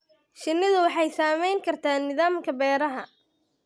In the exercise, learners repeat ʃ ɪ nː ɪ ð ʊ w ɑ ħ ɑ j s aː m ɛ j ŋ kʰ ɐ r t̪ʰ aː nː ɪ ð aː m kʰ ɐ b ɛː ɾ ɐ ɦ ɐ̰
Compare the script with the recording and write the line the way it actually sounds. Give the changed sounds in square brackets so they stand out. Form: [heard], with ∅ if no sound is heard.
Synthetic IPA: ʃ ɪ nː ɪ ð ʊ w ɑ ħ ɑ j s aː m ɛ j ŋ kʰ ɐ r t̪ʰ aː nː ɪ ð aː m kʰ ɐ b ɛː ɾ ɐ ɦ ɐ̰